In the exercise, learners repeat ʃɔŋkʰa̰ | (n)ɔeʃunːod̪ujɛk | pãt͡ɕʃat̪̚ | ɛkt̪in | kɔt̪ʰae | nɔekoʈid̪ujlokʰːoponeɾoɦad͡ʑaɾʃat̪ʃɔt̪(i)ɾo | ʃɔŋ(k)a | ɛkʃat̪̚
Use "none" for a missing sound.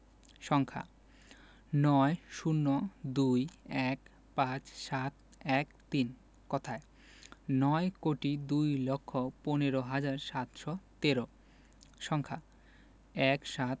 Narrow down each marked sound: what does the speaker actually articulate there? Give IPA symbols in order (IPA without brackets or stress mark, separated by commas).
n, e, kʰ